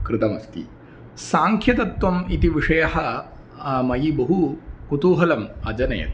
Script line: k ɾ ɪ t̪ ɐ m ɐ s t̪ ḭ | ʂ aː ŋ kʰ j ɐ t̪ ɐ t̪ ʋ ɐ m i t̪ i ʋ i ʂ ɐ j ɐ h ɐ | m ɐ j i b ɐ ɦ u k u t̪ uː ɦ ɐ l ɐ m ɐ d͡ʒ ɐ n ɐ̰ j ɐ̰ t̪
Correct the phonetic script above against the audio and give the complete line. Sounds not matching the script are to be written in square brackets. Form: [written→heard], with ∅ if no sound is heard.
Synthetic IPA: k ɾ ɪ t̪ ɐ m ɐ s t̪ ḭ | [ʂ→s] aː ŋ kʰ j ɐ t̪ ɐ t̪ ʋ ɐ m i t̪ i ʋ i ʂ ɐ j ɐ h ɐ | m ɐ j i b ɐ ɦ u k u t̪ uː ɦ ɐ l ɐ m ɐ d͡ʒ ɐ n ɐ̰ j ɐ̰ t̪